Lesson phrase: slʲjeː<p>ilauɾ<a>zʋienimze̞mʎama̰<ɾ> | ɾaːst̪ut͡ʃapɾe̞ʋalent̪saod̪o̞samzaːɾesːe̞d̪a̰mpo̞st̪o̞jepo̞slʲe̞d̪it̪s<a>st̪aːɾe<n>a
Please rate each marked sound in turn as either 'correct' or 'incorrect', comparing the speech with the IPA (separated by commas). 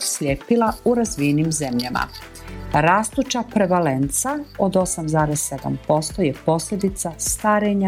correct, correct, incorrect, correct, incorrect